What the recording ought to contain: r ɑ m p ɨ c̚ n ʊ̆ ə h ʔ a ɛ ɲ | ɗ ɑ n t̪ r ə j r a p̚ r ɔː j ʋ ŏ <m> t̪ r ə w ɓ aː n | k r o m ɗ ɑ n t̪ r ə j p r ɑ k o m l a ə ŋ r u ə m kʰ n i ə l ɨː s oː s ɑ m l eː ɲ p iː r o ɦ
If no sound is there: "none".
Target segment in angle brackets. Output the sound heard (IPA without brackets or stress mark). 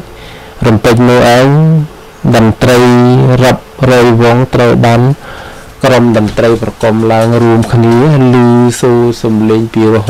ŋ